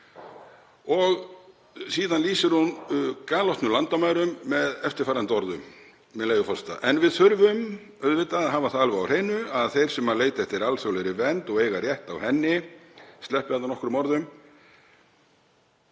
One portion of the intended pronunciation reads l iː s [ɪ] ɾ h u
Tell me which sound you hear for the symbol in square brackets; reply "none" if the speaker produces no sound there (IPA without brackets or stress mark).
ɪ